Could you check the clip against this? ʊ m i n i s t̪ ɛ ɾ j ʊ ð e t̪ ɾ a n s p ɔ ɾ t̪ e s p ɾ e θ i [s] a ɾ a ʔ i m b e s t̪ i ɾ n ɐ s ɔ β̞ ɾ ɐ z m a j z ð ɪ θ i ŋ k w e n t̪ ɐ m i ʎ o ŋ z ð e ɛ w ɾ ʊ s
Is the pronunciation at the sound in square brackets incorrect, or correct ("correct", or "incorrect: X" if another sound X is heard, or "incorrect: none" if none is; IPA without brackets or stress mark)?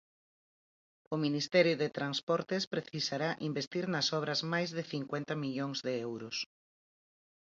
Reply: correct